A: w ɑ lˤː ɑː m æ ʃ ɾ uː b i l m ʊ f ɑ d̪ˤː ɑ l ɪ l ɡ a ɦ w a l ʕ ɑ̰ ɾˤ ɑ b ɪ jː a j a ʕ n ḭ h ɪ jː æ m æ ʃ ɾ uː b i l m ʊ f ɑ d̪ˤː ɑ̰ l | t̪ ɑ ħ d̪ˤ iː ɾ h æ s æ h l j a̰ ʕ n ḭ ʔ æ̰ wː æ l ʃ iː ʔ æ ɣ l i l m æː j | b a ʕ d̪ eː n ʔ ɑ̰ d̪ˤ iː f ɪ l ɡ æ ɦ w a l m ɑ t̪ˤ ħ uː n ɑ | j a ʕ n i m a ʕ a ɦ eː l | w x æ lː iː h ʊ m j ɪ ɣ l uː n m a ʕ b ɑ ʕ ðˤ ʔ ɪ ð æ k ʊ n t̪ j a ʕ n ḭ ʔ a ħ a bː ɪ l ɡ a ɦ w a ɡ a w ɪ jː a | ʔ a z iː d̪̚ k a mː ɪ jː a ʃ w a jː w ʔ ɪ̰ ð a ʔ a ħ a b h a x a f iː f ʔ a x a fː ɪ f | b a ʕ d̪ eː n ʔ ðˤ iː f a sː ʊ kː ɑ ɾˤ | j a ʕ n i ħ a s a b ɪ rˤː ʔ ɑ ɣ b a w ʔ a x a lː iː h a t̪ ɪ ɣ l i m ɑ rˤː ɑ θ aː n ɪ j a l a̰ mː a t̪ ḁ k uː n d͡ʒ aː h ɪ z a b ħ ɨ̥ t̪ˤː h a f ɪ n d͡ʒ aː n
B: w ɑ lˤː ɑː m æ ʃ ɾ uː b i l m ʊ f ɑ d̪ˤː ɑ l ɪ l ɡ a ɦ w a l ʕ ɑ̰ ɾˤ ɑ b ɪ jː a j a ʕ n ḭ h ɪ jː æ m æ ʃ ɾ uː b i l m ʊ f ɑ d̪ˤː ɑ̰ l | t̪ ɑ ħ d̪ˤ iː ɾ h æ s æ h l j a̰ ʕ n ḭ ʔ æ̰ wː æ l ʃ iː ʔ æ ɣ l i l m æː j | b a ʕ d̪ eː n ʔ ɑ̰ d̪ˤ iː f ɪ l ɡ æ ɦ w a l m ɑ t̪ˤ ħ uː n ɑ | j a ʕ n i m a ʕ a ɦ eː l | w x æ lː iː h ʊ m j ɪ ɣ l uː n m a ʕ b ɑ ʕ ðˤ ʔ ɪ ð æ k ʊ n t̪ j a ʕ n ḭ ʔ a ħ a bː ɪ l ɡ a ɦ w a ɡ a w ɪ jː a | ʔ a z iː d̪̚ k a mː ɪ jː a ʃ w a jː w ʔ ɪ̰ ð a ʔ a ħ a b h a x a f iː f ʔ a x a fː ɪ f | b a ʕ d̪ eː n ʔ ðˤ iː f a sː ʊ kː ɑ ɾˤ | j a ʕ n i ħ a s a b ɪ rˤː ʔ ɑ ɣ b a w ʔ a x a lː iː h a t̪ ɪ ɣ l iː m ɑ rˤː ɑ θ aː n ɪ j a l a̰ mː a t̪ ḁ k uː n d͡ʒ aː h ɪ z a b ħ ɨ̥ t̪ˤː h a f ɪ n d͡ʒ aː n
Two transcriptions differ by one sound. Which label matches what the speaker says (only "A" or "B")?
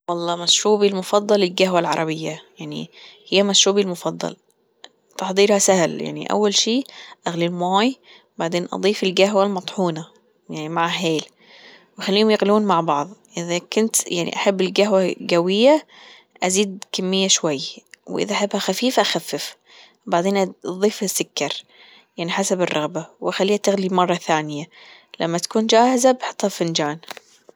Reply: A